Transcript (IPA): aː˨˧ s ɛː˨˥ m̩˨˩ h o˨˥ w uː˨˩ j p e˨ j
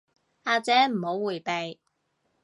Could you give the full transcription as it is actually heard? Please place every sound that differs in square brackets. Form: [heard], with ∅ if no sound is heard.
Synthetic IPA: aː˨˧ [t͡s] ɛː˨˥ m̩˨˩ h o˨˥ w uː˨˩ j p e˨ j